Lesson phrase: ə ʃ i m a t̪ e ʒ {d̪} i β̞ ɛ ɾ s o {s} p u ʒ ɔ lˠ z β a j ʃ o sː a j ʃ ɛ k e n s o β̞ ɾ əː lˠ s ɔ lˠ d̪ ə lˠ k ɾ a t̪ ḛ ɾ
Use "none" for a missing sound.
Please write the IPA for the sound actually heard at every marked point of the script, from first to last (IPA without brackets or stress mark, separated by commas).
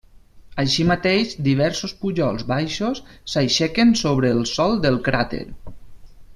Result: d̪, s